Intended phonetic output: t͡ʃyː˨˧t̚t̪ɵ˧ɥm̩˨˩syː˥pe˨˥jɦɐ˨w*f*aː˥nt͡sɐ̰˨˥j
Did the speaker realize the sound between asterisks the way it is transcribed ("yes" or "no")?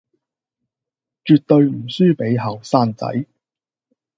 no